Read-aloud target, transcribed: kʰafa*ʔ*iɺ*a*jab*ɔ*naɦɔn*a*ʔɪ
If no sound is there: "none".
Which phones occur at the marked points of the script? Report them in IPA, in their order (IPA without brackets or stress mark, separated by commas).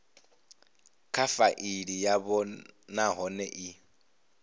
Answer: ʔ, i, ɔ, ɛ